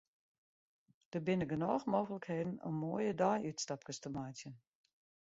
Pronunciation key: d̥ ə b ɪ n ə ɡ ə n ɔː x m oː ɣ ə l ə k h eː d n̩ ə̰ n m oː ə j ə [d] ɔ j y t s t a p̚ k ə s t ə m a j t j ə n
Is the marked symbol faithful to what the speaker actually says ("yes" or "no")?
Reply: yes